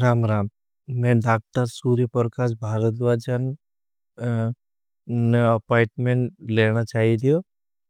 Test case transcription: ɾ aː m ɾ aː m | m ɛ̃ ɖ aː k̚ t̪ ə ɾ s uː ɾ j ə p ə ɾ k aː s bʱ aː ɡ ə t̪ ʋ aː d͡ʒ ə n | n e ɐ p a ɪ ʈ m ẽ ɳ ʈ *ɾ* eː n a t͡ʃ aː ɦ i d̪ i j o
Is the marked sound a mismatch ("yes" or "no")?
yes